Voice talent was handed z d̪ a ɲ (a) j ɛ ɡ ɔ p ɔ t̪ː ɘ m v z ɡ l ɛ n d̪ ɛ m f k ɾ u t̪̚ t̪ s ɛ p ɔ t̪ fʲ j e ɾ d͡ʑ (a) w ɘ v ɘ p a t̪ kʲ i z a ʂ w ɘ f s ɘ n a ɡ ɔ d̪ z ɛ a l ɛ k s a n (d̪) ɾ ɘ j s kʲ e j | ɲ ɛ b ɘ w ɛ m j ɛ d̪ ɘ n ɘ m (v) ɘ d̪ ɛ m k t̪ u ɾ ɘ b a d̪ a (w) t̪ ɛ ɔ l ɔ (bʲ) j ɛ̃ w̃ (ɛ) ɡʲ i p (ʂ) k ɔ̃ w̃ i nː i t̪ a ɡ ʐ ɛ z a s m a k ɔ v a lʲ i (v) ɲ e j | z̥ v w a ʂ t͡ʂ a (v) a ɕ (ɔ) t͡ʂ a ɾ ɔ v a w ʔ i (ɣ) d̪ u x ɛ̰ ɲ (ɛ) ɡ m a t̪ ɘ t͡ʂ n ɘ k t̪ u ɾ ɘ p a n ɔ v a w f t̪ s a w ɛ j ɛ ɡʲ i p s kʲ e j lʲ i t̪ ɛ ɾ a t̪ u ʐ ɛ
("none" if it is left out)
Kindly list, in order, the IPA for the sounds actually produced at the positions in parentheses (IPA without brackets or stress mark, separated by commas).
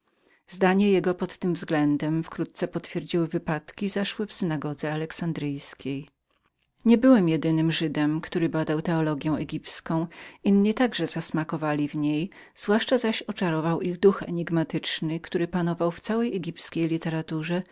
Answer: ɛ, i, d̪, ʐ, w, ɡʲ, ɛ, s, v, z, ɔ, ɣ, i